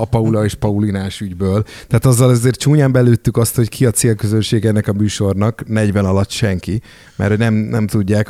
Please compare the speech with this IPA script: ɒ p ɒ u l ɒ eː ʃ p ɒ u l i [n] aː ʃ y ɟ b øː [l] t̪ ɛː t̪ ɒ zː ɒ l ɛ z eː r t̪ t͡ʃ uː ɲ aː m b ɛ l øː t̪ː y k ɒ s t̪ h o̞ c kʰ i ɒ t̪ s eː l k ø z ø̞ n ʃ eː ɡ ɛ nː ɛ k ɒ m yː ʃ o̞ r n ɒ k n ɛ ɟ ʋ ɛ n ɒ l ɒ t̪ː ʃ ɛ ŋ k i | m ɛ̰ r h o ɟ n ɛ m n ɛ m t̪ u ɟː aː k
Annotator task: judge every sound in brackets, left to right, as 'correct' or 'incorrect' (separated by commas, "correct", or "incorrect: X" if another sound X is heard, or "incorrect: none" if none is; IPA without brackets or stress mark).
correct, correct